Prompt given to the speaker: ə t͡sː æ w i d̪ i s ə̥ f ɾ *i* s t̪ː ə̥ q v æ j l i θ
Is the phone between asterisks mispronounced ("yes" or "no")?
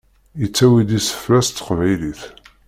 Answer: yes